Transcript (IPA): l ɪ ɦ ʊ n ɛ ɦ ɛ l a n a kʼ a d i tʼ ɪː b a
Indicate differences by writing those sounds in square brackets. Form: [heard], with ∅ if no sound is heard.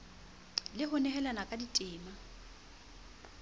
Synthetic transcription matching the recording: l ɪ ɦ ʊ n ɛ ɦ ɛ l a n a kʼ a d i tʼ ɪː [m] a